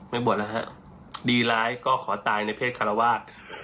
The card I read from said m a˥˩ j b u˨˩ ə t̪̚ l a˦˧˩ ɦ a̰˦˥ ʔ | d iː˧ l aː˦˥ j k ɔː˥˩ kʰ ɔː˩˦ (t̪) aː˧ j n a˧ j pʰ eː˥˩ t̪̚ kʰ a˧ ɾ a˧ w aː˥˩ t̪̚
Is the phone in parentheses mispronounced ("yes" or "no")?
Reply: no